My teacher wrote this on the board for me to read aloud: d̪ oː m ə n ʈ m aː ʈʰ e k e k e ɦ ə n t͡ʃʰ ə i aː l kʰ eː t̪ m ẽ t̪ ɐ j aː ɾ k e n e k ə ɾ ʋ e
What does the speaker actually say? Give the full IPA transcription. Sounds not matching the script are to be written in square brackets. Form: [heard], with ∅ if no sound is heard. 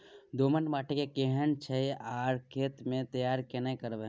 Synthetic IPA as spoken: d̪ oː m ə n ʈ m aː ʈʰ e k e k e ɦ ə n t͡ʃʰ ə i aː [ɾ] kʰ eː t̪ m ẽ t̪ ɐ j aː ɾ k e n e k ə ɾ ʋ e